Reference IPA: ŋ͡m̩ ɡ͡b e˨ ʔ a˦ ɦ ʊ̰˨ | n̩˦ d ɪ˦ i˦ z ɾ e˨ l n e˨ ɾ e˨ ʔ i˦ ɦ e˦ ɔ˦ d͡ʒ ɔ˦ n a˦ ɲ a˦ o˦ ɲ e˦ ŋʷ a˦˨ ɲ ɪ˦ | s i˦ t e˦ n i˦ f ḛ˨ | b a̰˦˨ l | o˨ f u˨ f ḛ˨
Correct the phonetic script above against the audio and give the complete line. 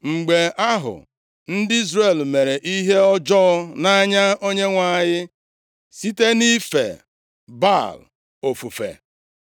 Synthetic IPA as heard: ŋ͡m̩ ɡ͡b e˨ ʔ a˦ ɦ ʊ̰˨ | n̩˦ d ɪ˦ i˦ z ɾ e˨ l m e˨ ɾ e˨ ʔ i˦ ɦ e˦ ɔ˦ d͡ʒ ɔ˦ n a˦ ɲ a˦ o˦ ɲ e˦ ŋʷ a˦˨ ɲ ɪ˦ | s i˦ t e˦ n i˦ f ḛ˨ | b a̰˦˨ l | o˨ f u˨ f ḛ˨